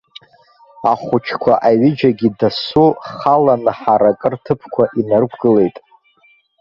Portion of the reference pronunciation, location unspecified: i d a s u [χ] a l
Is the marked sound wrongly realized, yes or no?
no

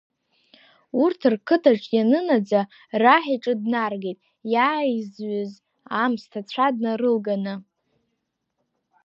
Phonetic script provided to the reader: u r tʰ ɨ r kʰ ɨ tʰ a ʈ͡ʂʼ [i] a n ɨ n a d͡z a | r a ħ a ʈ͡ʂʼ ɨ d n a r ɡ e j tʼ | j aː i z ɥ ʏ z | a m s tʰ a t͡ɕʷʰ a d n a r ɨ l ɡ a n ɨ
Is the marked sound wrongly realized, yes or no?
yes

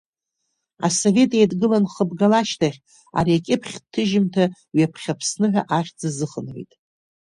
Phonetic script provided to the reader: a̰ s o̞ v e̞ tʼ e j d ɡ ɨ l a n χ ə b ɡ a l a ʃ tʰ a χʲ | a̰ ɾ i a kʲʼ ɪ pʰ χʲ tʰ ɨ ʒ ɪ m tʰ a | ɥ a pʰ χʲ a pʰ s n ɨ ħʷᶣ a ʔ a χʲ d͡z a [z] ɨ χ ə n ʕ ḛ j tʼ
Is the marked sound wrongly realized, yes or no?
no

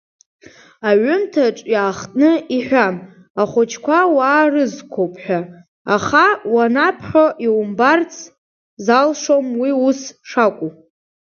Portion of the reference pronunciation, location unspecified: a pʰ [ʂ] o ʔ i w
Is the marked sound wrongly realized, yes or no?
yes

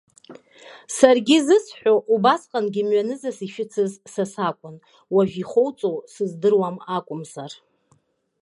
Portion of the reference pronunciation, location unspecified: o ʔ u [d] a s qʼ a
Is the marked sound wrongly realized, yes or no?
yes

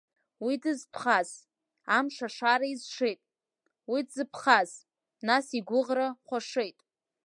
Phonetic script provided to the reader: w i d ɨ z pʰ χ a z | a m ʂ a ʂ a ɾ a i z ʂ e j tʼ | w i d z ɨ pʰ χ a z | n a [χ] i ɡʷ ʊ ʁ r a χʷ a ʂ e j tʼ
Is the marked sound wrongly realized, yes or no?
yes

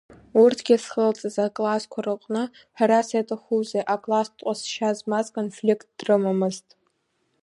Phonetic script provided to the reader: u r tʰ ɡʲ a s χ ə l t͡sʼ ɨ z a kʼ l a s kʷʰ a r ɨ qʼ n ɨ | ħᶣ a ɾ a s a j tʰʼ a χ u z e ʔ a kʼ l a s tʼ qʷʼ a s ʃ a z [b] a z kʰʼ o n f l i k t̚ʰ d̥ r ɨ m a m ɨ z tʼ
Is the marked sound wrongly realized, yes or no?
yes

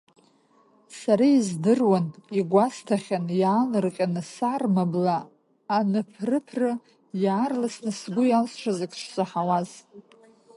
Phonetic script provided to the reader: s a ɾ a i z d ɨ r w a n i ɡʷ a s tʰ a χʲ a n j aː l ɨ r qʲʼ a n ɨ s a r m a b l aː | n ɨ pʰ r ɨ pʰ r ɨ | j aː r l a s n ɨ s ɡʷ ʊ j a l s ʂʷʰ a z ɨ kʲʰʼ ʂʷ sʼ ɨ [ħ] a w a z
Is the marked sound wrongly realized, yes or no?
no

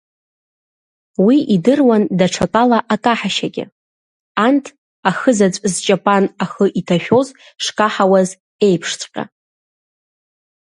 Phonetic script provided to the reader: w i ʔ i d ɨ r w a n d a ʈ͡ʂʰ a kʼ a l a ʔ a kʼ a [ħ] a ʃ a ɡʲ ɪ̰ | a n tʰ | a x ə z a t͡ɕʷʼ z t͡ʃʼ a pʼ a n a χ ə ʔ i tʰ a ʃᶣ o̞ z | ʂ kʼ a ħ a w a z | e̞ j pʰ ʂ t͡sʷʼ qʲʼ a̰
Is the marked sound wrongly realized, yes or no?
no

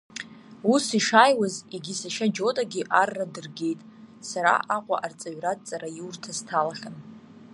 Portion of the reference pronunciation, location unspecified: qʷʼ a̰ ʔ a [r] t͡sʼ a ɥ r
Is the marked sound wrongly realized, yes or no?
no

